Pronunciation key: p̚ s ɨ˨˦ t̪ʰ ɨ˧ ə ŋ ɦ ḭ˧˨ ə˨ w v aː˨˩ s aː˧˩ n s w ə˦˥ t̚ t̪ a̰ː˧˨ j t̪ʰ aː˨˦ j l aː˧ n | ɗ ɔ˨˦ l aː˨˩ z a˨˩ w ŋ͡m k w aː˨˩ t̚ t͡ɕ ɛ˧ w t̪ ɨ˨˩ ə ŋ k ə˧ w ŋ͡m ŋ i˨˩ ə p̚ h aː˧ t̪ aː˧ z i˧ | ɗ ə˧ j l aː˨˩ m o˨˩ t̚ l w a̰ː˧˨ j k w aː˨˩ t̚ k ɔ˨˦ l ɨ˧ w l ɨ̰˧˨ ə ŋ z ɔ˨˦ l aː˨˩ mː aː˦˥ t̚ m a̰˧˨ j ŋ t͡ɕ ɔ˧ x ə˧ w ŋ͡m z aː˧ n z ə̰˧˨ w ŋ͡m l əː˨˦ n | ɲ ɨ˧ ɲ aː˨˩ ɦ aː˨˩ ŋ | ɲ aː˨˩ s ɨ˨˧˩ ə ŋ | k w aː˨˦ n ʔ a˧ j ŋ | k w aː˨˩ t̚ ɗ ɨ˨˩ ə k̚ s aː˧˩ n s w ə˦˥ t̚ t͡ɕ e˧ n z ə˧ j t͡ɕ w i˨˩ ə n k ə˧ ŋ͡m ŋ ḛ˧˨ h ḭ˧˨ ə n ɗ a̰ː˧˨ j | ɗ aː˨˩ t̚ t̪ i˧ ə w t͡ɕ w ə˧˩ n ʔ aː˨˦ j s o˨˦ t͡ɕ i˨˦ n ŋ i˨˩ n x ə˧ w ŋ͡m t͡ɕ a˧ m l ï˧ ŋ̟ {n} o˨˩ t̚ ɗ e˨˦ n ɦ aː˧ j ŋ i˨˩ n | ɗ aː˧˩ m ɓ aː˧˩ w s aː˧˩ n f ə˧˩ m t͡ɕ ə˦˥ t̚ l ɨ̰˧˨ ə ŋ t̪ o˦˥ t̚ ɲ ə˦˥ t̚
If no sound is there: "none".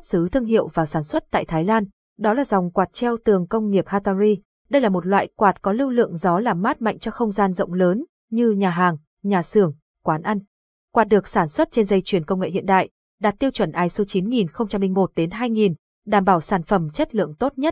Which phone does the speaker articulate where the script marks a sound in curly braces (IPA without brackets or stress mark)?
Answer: m